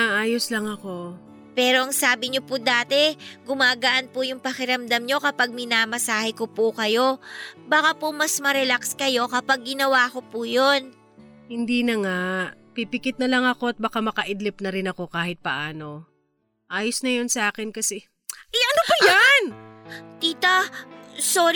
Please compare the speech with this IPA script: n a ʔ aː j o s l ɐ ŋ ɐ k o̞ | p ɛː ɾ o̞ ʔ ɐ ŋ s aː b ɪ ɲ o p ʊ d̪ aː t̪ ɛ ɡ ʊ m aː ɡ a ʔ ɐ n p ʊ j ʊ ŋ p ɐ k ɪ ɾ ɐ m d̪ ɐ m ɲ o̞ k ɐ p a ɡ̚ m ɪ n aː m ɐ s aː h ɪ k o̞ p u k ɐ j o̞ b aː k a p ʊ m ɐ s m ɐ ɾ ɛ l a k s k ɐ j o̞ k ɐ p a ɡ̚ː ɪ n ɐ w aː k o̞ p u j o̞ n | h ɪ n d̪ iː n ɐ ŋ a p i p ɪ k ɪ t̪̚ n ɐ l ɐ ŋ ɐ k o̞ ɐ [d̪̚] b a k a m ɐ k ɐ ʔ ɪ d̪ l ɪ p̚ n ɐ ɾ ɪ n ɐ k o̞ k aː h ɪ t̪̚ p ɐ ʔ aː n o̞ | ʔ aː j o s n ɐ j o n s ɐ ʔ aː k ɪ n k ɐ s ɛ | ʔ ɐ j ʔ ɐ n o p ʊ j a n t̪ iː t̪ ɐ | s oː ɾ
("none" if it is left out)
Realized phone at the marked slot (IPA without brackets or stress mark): t̪̚